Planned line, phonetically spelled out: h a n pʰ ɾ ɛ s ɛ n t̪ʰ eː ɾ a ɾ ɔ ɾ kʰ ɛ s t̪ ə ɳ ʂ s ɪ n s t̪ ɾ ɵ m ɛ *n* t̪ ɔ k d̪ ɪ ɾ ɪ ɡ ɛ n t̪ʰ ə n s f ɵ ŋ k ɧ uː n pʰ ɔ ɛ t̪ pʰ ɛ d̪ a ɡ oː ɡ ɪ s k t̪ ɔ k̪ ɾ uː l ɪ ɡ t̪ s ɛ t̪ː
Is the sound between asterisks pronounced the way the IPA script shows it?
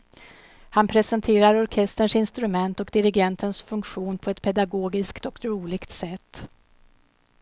yes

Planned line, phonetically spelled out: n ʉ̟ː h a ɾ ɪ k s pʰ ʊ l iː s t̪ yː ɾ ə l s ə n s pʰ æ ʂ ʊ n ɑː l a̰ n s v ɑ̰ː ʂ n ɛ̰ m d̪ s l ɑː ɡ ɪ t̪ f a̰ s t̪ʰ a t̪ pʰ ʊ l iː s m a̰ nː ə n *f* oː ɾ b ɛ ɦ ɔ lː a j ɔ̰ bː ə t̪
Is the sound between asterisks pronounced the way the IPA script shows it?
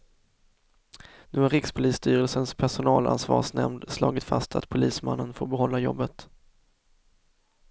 yes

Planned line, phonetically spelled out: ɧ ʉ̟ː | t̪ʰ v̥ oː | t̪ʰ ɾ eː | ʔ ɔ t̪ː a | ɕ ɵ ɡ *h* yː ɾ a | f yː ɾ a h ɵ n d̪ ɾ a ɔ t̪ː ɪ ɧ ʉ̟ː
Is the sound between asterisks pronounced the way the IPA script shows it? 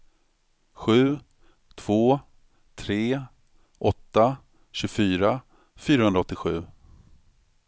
no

